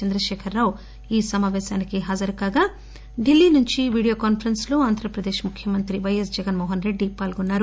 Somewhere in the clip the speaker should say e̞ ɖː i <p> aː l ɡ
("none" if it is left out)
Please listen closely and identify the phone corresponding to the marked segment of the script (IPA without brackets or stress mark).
p